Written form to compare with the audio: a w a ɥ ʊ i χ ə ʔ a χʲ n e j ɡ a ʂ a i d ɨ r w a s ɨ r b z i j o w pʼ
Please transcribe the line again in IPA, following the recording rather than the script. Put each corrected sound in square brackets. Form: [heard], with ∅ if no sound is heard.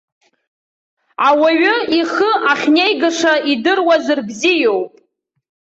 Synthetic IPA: a w a ɥ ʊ i χ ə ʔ a χʲ n e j ɡ a ʂ a i d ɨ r w a [z] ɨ r b z i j o w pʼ